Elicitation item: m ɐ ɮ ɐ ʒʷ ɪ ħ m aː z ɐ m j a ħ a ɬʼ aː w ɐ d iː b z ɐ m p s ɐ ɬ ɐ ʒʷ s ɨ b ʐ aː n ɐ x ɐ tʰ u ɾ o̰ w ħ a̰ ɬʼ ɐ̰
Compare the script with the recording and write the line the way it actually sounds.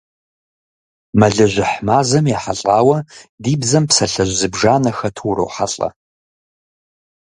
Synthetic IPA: m ɐ ɮ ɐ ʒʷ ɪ ħ m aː z ɐ m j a ħ a ɬʼ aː w ɐ d iː b z ɐ m p s ɐ ɬ ɐ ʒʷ z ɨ b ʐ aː n ɐ x ɐ tʰ u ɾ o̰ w ħ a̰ ɬʼ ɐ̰

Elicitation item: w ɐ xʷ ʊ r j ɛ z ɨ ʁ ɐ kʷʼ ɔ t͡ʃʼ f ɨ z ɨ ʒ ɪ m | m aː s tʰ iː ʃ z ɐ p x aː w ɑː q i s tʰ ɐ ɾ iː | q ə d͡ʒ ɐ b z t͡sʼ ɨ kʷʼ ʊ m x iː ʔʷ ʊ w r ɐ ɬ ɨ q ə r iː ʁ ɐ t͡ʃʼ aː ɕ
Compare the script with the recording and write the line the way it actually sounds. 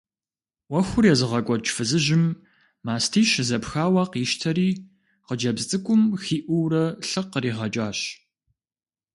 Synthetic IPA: w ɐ xʷ ʊ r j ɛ z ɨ ʁ ɐ kʷʼ ɔ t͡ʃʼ f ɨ z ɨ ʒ ɪ m | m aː s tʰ iː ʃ z ɐ p x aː w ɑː q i ʃ tʰ ɐ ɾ iː | q ə d͡ʒ ɐ b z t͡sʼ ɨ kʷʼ ʊ m x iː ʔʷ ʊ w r ɐ ɬ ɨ q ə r iː ʁ ɐ t͡ʃʼ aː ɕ

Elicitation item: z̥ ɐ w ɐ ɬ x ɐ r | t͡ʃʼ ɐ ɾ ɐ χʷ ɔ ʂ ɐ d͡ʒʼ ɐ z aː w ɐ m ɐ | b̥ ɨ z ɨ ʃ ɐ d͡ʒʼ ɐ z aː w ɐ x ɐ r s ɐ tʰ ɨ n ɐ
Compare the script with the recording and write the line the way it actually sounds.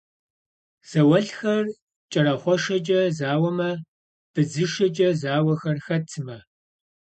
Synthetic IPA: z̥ ɐ w ɐ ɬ x ɐ r | t͡ʃʼ ɐ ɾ ɐ χʷ ɔ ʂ ɐ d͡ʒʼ ɐ z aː w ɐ m ɐ | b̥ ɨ z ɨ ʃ ɐ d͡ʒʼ ɐ z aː w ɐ x ɐ r x ɐ tʰ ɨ m ɐ

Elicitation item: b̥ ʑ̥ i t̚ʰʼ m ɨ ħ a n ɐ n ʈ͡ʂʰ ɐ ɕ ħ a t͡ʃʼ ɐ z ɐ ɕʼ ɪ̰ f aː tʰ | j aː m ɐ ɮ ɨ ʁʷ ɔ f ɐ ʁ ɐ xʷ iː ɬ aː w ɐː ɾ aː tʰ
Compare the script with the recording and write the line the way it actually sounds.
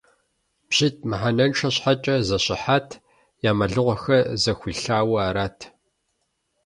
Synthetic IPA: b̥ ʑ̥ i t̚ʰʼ m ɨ ħ a n ɐ n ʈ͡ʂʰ ɐ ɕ ħ a t͡ʃʼ ɐ z ɐ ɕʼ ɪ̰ ħ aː tʰ | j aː m ɐ ɮ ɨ ʁʷ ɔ x ɐ z ɐ xʷ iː ɬ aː w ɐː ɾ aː tʰ

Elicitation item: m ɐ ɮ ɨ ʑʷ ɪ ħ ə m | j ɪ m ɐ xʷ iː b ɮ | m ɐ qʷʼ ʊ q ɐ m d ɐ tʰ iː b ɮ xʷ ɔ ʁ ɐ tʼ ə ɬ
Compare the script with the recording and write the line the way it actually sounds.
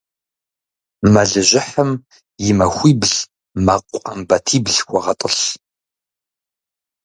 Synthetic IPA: m ɐ ɮ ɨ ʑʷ ɪ ħ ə m | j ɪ m ɐ xʷ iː b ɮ | m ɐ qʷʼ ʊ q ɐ m b ɐ tʰ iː b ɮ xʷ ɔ ʁ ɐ tʼ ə ɬ

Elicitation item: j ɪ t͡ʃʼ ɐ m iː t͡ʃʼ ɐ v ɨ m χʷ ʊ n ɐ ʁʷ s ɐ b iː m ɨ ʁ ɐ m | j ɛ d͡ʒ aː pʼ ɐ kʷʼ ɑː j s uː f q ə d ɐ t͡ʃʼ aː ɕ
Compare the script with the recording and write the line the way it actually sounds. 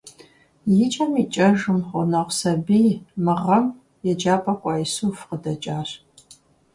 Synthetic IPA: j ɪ t͡ʃʼ ɐ m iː t͡ʃʼ ɐ ʒ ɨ m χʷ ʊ n ɐ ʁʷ s ɐ b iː m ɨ ʁ ɐ m | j ɛ d͡ʒ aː pʼ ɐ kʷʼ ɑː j s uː f q ə d ɐ t͡ʃʼ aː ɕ

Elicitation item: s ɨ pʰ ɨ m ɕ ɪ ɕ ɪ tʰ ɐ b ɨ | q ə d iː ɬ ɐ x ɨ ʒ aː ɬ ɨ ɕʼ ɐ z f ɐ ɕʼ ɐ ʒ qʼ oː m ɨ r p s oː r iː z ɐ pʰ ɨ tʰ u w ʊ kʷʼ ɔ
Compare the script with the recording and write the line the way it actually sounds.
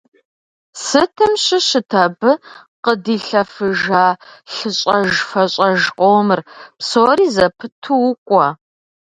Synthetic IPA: s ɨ tʰ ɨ m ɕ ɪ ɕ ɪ tʰ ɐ b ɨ | q ə d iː ɬ ɐ f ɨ ʒ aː ɬ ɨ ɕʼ ɐ ʒ f ɐ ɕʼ ɐ ʒ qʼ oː m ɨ r p s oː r iː z ɐ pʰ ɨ tʰ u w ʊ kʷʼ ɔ

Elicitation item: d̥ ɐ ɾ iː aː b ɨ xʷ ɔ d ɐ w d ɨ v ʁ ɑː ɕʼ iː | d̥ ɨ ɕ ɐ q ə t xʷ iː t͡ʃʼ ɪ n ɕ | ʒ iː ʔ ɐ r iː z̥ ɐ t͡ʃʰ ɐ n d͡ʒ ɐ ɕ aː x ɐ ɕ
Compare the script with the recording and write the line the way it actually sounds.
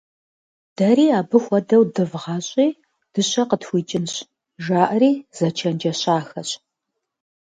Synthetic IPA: d̥ ɐ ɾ iː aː b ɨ xʷ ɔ d ɐ w d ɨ v ʁ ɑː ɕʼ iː | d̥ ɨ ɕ ɐ q ə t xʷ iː t͡ʃʼ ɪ n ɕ | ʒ aː ʔ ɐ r iː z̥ ɐ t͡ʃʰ ɐ n d͡ʒ ɐ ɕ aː x ɐ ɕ

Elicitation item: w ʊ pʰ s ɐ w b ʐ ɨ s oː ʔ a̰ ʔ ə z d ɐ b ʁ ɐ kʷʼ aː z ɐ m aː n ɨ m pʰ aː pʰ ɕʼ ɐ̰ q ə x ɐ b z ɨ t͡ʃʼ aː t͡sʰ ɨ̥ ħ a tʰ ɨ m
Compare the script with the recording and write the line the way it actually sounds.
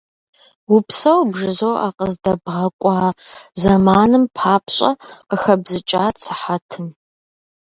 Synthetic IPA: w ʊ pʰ s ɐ w b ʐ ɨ z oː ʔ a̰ q ə z d ɐ b ʁ ɐ kʷʼ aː z ɐ m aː n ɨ m pʰ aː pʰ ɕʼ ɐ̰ q ə x ɐ b z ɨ t͡ʃʼ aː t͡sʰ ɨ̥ ħ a tʰ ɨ m

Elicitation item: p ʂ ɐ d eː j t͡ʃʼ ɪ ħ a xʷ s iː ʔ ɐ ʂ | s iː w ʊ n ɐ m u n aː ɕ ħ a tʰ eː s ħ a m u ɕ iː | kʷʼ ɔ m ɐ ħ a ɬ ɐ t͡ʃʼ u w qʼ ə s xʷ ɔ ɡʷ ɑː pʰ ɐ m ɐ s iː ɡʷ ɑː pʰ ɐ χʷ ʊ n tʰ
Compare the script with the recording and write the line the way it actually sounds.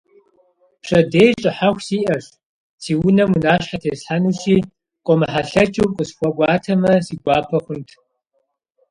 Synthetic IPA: p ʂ ɐ d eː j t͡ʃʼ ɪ ħ a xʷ s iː ʔ ɐ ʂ | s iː w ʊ n ɐ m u n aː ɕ ħ a tʰ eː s ħ a n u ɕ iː | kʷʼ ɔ m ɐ ħ a ɬ ɐ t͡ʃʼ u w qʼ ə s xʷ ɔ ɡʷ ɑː tʰ ɐ m ɐ s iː ɡʷ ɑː pʰ ɐ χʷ ʊ n tʰ

